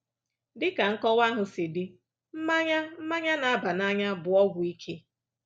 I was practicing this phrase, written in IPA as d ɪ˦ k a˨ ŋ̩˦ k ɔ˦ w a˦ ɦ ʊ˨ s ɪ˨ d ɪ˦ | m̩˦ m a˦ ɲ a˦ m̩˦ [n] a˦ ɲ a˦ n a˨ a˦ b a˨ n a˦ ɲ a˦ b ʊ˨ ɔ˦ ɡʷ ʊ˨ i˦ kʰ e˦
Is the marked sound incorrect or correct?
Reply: incorrect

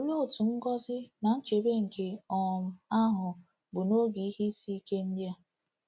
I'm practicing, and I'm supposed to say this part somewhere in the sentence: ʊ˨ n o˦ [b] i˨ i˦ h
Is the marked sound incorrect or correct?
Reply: incorrect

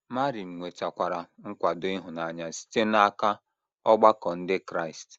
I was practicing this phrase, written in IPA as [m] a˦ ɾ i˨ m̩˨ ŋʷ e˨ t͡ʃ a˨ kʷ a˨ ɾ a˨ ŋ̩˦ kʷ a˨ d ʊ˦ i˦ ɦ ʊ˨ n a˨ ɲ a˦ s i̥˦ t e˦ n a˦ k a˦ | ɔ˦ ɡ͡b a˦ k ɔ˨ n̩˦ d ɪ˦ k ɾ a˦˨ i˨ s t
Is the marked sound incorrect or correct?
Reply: correct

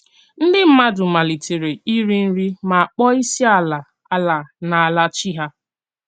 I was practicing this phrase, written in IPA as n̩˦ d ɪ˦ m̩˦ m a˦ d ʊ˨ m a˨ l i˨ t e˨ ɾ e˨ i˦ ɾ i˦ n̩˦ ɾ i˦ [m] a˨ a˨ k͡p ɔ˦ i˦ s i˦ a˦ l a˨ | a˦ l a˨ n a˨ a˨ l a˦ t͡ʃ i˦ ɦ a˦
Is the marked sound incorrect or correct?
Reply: correct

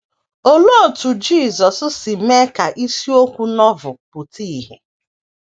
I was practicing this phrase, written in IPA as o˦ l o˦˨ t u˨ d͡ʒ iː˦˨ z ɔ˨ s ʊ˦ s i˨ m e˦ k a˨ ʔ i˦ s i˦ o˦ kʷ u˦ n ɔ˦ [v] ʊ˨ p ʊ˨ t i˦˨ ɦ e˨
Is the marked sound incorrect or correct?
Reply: correct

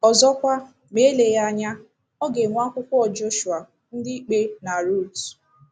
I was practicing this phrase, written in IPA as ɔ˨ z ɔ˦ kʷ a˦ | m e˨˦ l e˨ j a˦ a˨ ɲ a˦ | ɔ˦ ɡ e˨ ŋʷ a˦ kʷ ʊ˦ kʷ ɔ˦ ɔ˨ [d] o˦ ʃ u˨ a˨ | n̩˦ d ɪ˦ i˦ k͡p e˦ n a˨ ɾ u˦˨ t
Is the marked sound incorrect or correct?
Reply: incorrect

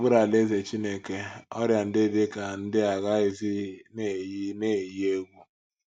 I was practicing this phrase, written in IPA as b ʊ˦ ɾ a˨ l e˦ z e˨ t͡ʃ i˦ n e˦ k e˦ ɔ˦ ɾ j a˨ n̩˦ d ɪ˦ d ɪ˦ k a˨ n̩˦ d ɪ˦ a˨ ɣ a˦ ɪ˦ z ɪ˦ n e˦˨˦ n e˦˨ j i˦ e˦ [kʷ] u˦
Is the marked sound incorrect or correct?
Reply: incorrect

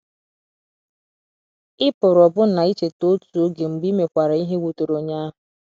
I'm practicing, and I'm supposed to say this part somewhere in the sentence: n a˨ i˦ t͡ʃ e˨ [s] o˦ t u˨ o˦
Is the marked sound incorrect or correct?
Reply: incorrect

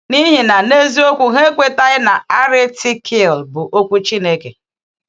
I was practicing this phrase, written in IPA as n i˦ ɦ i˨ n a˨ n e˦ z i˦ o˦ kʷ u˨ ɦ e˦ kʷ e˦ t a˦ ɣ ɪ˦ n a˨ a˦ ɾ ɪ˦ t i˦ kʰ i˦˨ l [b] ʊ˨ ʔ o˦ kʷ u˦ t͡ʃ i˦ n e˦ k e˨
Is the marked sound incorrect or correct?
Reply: correct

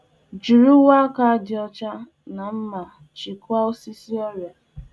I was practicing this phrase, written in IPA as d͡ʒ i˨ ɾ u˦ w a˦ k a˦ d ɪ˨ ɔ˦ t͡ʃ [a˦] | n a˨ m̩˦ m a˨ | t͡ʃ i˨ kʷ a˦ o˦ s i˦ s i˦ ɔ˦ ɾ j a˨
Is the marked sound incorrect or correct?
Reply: correct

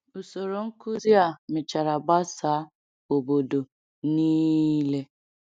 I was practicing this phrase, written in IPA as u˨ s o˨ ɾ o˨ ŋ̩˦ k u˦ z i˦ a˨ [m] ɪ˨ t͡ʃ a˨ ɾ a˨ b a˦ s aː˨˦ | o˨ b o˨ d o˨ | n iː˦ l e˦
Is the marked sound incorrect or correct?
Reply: correct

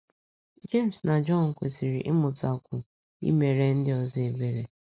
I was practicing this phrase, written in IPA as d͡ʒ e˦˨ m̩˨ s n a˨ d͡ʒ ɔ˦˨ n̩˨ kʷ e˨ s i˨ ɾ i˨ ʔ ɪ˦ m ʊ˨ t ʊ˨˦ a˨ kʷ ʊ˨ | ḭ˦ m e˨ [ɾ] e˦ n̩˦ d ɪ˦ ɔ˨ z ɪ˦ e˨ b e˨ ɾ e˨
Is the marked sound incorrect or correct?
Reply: correct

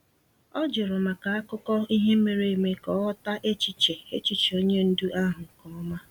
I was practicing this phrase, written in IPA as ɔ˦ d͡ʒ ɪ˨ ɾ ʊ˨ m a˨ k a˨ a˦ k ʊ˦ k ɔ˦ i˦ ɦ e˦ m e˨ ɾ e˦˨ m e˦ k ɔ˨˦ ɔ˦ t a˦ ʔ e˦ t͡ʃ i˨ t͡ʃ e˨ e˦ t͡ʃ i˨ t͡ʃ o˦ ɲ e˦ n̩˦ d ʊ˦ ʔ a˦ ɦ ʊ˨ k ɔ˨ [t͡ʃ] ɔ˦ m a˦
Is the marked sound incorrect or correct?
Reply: incorrect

